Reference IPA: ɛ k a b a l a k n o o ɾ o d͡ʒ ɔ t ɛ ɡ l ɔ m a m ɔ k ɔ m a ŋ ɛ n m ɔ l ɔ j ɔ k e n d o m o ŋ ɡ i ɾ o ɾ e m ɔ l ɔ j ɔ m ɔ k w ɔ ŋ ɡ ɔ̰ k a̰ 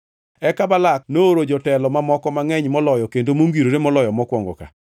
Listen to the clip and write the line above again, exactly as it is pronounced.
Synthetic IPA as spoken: ɛ k a b a l a k n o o ɾ o d͡ʒ ɔ t ɛ l ɔ m a m ɔ k ɔ m a ŋ ɛ ɲ m ɔ l ɔ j ɔ k e n d o m o ŋ ɡ i ɾ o ɾ e m ɔ l ɔ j ɔ m ɔ k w ɔ ŋ ɡ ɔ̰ k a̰